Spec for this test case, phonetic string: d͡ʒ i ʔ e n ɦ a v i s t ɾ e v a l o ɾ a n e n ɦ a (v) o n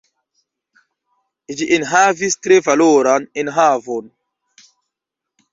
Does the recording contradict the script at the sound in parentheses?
no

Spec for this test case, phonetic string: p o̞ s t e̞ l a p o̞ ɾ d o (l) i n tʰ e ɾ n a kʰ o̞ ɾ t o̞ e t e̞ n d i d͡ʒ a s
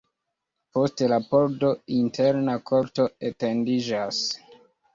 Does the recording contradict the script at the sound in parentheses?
yes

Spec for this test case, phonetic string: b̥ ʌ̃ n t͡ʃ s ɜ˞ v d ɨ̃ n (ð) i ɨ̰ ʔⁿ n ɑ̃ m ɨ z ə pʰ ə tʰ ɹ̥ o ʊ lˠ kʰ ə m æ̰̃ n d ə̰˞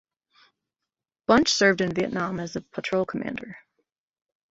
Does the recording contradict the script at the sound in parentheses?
yes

